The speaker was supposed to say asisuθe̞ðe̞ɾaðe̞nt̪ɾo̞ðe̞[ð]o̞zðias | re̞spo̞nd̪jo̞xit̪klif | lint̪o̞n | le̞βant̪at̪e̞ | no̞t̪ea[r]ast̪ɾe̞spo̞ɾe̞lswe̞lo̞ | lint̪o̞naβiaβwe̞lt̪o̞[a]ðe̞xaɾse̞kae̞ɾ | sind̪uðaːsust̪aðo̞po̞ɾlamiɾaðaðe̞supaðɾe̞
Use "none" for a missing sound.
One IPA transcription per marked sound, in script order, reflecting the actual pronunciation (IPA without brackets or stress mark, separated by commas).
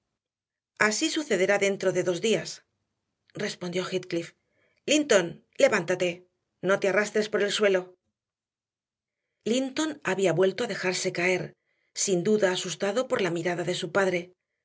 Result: ð, r, a